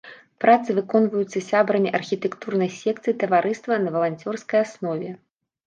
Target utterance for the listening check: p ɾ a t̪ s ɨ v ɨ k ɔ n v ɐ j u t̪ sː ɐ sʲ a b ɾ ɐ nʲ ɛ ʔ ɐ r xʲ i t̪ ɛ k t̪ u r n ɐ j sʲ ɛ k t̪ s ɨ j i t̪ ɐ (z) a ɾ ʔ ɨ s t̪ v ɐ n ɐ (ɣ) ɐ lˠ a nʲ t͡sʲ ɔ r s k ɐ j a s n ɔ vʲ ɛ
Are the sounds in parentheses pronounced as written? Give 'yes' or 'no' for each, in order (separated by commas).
no, no